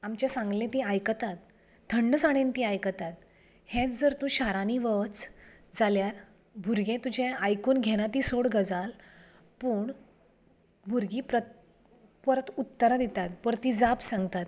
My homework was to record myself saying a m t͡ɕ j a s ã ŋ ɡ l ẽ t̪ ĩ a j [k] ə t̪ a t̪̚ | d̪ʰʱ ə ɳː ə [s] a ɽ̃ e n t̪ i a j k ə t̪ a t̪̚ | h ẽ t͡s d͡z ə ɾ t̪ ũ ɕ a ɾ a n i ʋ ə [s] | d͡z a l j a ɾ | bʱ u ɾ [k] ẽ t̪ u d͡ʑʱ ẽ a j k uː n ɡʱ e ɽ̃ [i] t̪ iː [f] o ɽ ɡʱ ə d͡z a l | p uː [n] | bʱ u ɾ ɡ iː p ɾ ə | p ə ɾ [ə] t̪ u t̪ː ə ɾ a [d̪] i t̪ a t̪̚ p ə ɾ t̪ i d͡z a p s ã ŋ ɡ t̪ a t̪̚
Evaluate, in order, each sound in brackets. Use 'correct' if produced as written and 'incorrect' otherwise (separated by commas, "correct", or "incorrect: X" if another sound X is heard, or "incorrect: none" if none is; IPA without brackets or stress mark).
correct, correct, incorrect: t͡s, incorrect: ɡ, incorrect: a, incorrect: s, incorrect: ɳ, correct, correct